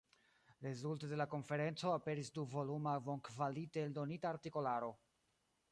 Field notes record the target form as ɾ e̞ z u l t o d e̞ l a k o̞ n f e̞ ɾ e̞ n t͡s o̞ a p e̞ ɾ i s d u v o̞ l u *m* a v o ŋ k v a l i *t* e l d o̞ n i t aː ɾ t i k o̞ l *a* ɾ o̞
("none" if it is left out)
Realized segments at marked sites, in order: m, t, a

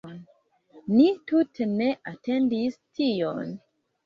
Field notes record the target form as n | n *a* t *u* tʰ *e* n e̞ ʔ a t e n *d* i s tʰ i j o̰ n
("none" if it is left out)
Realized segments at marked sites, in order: i, u, e, d

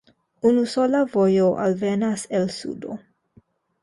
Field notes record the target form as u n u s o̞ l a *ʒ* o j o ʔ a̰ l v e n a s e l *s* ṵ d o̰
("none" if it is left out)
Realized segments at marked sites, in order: v, s

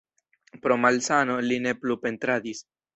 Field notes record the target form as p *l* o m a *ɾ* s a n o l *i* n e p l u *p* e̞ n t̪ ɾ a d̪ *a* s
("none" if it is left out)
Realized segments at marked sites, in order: ɾ, l, i, p, i

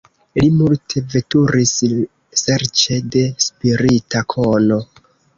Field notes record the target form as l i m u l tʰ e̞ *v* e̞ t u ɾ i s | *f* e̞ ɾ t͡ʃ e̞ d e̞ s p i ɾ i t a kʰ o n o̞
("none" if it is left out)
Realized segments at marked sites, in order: v, s

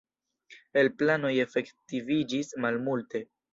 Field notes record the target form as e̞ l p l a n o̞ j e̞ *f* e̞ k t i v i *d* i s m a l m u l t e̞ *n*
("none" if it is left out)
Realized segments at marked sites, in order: f, d͡ʒ, none

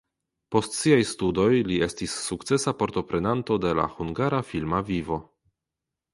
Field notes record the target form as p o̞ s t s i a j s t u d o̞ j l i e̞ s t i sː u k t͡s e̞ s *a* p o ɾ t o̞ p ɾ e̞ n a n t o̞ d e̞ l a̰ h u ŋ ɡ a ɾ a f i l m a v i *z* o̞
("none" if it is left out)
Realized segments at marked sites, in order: a, v

